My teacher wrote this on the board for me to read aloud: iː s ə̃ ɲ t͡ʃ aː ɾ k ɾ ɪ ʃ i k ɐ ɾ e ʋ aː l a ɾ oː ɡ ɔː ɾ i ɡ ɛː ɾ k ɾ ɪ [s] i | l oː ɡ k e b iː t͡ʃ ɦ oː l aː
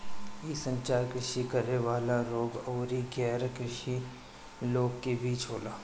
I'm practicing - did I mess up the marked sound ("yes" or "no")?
yes